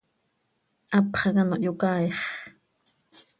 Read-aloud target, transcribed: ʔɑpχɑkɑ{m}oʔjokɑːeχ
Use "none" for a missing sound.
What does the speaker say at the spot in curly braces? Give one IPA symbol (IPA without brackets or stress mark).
n